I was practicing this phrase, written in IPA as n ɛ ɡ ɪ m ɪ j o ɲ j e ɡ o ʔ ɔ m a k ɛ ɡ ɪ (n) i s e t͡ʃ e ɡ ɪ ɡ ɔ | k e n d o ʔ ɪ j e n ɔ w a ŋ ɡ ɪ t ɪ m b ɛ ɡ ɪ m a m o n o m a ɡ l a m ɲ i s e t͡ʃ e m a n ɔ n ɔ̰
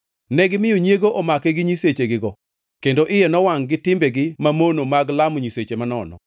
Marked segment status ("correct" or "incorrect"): incorrect